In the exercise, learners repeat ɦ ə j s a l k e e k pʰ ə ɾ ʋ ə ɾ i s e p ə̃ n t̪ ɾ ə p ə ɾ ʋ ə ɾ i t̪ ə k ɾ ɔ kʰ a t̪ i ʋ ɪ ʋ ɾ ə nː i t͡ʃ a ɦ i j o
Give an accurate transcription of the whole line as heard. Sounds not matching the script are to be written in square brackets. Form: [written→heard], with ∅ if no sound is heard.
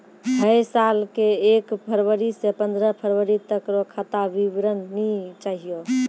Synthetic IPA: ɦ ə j s a l k e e k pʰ ə ɾ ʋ ə ɾ i s e p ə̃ n [t̪→d̪] ɾ ə [p→pʰ] ə ɾ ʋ ə ɾ i t̪ ə k ɾ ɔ kʰ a t̪ [i→a] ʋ [ɪ→i] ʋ ɾ ə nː i t͡ʃ a ɦ i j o

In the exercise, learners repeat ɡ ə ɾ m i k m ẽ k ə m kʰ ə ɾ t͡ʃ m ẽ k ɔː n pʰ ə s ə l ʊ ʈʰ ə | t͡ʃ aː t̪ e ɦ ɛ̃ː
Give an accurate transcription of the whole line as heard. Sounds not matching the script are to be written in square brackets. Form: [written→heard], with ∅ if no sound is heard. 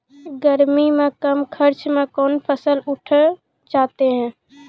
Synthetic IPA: ɡ ə ɾ m i [k→∅] m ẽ k ə m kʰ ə ɾ t͡ʃ m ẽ k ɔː n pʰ ə s ə l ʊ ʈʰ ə | t͡ʃ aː t̪ e ɦ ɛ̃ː

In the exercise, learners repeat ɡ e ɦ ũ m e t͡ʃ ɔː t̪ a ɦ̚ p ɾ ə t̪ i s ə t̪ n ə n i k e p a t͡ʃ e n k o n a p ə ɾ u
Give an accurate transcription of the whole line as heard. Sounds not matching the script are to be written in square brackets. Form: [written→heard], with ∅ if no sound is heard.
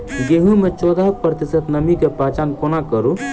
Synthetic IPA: ɡ e ɦ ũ m e t͡ʃ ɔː [t̪→d̪] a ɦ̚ p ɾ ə t̪ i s ə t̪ n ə [n→m] i k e p a t͡ʃ [e→a] n k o n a [p→k] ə ɾ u

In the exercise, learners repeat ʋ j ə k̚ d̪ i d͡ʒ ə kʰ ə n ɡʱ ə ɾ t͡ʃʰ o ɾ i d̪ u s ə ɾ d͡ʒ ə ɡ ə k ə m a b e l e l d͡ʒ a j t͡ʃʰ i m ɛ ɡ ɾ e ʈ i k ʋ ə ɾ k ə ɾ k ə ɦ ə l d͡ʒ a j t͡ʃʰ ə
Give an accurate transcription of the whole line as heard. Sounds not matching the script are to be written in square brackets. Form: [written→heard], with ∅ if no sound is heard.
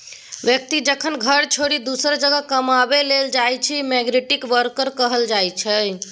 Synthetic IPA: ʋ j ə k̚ [d̪→t̪] i d͡ʒ ə kʰ ə n ɡʱ ə ɾ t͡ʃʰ o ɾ i d̪ u s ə ɾ d͡ʒ ə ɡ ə k ə m a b e l e l d͡ʒ a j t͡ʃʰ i m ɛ ɡ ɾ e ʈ i k ʋ ə ɾ k ə ɾ k ə ɦ ə l d͡ʒ a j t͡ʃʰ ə

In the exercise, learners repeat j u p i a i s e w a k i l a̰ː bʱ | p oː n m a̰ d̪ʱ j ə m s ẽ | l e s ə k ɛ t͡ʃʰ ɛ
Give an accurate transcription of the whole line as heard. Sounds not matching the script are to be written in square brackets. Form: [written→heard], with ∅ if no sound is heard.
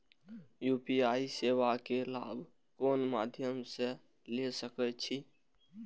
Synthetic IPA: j u p i a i s e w a k [i→e] l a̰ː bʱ | [p→k] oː n m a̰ d̪ʱ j ə m s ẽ | l e s ə k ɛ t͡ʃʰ [ɛ→i]

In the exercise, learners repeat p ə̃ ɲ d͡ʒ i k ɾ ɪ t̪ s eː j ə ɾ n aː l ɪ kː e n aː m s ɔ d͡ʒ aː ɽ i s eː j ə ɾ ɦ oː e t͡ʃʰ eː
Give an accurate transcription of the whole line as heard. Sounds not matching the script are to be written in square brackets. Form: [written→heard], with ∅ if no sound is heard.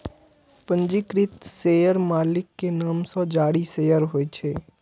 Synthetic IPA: p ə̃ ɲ d͡ʒ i k ɾ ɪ t̪ s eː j ə ɾ [n→m] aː l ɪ kː e n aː m s ɔ d͡ʒ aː ɽ i s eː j ə ɾ ɦ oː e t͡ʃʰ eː

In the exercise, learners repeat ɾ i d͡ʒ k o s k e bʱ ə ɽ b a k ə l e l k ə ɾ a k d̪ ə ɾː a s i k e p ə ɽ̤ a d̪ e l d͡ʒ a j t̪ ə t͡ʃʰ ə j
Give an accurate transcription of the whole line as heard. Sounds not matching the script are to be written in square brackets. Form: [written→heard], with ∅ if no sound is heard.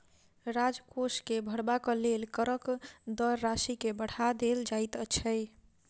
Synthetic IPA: ɾ [i→a] d͡ʒ k o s k e bʱ ə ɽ b a k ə l e l k ə ɾ [a→ə] k d̪ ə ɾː a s i k e [p→b] ə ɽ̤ a d̪ e l d͡ʒ a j t̪ ə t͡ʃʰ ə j

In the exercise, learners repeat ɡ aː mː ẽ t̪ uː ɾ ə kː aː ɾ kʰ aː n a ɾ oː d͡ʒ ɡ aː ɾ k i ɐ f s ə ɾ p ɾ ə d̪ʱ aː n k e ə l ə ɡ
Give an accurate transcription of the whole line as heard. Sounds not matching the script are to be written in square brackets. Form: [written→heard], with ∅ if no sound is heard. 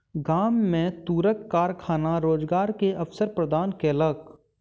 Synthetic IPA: ɡ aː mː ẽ t̪ uː ɾ ə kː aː ɾ kʰ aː n a ɾ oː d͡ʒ ɡ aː ɾ k [i→e] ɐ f s ə ɾ p ɾ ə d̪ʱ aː n k e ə l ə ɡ

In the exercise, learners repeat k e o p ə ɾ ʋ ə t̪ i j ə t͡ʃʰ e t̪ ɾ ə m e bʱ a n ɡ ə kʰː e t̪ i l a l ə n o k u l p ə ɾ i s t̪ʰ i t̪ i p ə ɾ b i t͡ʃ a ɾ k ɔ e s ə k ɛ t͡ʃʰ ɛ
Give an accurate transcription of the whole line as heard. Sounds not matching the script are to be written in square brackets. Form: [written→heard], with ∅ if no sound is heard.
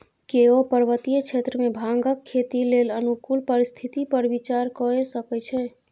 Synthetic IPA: k e o p ə ɾ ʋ ə t̪ i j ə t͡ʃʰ e t̪ ɾ ə m e bʱ a [n→ŋ] ɡ ə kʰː e t̪ i l [a→e] l ə n [o→u] k u l p ə ɾ i s t̪ʰ i t̪ i p ə ɾ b i t͡ʃ a ɾ k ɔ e s ə k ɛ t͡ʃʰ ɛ

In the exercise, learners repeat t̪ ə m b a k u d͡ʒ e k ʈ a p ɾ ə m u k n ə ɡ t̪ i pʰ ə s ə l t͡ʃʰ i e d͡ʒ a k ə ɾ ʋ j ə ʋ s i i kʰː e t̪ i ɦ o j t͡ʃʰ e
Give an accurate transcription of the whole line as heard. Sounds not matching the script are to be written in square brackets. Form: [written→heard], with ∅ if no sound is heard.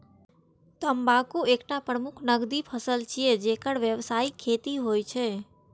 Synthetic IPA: t̪ ə m b a k u [d͡ʒ→∅] e k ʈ a p ɾ ə m u [k→kʰ] n ə ɡ [t̪→d̪] i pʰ ə s ə l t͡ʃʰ i e d͡ʒ [a→e] k ə [ɾ→ɽ] ʋ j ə ʋ s [i→a] i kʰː e t̪ i ɦ o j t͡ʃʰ e

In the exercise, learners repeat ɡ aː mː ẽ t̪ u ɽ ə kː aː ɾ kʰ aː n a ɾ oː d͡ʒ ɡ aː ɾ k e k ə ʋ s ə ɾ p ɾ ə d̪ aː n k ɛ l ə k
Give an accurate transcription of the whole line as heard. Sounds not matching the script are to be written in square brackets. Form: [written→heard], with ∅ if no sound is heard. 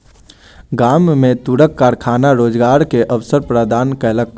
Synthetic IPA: ɡ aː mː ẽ t̪ u ɽ ə kː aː ɾ kʰ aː n a ɾ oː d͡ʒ ɡ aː ɾ k e [k→ʔ] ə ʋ s ə ɾ p ɾ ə d̪ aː n k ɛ l ə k

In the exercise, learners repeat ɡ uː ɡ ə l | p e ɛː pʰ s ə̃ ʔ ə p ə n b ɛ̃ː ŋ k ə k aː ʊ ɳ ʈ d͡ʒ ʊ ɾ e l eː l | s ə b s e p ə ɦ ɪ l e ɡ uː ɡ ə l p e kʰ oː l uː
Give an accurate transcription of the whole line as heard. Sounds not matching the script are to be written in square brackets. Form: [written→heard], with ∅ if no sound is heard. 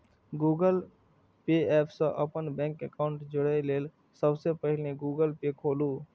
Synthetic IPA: ɡ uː ɡ ə l | p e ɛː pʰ s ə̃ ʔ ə p ə n b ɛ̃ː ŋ k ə k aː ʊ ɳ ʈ d͡ʒ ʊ [ɾ→ɽ] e l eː l | s ə b s e p ə ɦ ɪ l e ɡ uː ɡ ə l p e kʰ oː l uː

